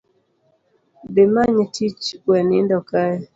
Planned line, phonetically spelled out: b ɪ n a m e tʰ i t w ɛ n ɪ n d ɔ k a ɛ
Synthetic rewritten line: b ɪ m a ɲ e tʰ i t͡ʃ w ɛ n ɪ n d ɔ k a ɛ